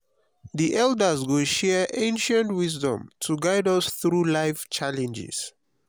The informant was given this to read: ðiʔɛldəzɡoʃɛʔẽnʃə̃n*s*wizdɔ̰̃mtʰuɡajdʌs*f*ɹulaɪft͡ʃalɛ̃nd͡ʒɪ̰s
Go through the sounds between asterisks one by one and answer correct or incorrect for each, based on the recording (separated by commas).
incorrect, incorrect